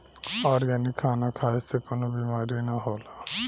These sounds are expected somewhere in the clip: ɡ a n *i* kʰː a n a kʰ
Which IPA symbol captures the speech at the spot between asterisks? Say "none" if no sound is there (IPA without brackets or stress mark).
i